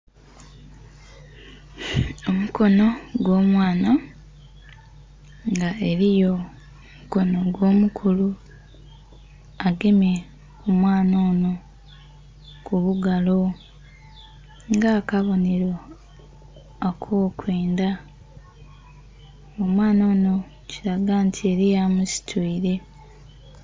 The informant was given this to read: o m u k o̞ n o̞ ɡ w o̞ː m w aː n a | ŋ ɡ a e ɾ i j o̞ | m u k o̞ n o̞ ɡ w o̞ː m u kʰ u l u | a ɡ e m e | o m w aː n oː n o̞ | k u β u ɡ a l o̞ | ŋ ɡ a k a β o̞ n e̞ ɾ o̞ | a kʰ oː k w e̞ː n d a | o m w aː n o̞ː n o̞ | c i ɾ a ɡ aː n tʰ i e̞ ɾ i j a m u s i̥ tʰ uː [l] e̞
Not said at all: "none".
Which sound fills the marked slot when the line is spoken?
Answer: ɾ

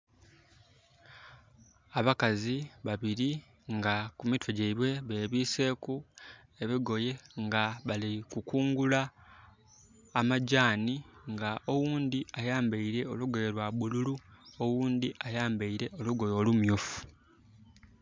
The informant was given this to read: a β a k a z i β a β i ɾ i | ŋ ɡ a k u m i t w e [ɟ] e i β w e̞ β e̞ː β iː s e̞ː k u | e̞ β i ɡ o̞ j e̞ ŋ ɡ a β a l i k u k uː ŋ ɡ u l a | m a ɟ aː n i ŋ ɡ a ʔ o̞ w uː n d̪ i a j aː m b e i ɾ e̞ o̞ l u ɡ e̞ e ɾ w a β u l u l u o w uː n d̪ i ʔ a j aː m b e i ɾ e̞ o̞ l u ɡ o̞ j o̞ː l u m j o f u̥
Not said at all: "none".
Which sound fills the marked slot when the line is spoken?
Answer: ɟ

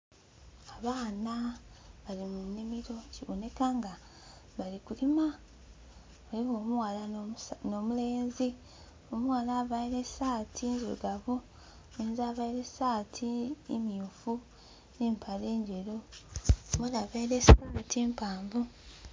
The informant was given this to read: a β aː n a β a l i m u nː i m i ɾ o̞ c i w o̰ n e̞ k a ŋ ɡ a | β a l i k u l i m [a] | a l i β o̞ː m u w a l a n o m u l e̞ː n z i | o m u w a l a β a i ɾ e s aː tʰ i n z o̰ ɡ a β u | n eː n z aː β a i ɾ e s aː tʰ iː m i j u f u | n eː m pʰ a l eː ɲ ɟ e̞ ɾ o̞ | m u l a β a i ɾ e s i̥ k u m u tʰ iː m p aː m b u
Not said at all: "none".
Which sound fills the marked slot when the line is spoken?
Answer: a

